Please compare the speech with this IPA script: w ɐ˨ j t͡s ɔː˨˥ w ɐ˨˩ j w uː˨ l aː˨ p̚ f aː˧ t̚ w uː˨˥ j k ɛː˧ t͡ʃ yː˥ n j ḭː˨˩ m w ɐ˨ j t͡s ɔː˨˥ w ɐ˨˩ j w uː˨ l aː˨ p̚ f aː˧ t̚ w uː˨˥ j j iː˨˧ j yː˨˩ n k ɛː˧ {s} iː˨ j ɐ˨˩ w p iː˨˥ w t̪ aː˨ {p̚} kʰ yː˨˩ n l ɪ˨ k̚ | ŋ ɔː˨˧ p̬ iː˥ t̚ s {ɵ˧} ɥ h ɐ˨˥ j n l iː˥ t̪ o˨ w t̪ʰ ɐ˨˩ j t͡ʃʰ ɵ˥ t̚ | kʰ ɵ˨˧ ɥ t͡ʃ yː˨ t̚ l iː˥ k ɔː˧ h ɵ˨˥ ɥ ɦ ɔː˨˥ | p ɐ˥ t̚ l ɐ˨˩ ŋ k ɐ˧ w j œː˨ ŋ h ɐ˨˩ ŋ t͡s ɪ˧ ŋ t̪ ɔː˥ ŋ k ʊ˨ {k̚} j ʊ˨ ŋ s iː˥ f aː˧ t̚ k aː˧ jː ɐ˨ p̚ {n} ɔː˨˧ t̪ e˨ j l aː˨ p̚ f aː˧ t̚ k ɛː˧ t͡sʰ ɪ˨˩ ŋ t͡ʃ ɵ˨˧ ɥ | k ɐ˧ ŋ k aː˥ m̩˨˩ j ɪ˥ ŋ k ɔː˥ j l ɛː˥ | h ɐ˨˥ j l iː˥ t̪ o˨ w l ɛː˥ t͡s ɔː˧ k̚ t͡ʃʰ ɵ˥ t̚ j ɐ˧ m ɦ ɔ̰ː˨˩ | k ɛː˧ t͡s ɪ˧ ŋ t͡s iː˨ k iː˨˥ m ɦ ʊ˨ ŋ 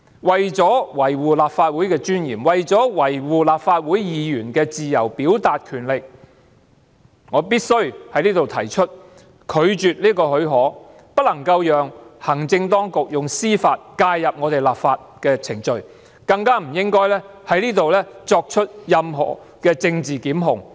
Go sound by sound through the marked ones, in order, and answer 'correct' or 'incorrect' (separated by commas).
incorrect, incorrect, incorrect, correct, incorrect